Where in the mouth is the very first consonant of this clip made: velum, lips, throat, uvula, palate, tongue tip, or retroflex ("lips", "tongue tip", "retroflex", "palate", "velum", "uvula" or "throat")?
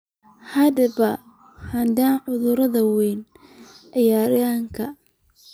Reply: throat